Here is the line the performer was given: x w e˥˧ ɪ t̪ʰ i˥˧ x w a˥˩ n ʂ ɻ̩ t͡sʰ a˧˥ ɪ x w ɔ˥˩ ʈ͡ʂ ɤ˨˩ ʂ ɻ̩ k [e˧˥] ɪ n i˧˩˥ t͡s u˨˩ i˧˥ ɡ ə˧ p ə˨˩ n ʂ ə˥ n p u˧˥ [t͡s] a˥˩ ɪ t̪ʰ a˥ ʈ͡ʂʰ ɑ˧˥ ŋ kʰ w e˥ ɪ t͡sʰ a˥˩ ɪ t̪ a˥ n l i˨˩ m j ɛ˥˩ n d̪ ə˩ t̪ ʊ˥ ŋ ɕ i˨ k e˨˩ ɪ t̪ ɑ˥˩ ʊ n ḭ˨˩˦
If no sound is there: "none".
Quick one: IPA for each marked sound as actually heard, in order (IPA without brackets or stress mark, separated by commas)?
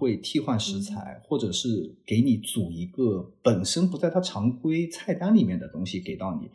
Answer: e˧˥, t͡s